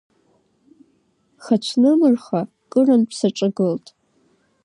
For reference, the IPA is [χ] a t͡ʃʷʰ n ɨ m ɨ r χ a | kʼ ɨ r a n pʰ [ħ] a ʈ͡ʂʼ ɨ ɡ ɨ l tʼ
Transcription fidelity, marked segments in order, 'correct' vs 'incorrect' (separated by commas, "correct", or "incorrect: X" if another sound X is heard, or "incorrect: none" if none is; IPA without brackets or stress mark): correct, incorrect: s